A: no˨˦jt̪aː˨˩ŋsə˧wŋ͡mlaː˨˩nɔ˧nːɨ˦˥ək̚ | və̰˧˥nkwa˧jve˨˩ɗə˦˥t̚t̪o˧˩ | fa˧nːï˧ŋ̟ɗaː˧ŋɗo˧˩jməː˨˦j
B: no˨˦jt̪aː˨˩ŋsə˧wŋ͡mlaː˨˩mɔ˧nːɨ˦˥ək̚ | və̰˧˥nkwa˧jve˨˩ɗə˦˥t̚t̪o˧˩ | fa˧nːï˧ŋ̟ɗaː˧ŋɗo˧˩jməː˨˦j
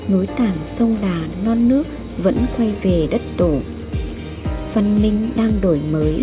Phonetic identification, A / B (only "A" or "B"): A